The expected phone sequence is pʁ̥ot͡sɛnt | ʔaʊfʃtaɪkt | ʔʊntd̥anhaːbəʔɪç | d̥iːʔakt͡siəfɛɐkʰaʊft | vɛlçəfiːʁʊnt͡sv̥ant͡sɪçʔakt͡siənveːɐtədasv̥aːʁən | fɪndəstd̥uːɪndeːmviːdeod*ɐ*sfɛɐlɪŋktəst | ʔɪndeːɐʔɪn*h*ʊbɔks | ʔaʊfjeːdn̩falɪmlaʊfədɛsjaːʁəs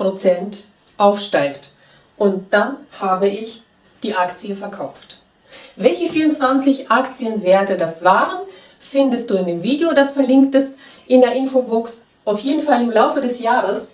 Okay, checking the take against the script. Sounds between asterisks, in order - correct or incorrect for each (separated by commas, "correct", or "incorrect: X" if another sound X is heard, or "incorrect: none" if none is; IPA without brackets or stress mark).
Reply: incorrect: a, incorrect: f